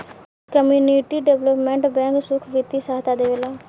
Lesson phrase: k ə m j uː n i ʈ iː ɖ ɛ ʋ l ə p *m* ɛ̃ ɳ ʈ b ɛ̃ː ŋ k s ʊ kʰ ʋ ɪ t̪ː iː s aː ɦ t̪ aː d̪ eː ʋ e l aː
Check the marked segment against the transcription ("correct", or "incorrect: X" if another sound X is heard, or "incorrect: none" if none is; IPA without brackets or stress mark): correct